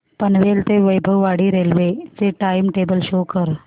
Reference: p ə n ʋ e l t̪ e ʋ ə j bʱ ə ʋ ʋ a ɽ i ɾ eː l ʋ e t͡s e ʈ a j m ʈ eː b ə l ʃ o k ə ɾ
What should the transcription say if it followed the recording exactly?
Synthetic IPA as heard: p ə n ʋ e l t̪ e ʋ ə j bʱ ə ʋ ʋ a ɽ i ɾ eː l ʋ e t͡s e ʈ a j m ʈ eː b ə l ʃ o k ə ɾ

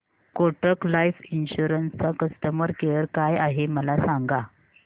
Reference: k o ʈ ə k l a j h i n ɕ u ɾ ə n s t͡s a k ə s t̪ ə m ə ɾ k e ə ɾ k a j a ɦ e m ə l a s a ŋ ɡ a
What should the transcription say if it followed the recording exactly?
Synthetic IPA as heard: k o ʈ ə k l a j f i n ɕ u ɾ ə n s t͡s a k ə s t̪ ə m ə ɾ k e ə ɾ k a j a ɦ e m ə l a s a ŋ ɡ a

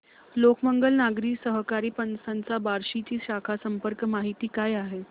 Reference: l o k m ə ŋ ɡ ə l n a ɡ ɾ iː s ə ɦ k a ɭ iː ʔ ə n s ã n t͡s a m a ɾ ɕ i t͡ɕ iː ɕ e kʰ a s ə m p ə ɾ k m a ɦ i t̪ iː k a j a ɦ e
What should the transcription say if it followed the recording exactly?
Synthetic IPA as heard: l o k m ə ŋ ɡ ə l n a ɡ ɾ iː s ə ɦ k a ɾ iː p ə n s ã n t͡s a b a ɾ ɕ i t͡ɕ iː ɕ a kʰ a s ə m p ə ɾ k m a ɦ i t̪ iː k a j a ɦ e

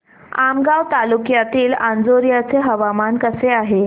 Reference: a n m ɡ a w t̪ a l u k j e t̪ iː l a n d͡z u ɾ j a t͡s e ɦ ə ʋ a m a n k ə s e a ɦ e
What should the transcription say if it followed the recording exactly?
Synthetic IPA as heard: a m ɡ a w t̪ a l u k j a t̪ iː l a n d͡z o ɾ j a t͡s e ɦ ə ʋ a m a n k ə s e a ɦ e

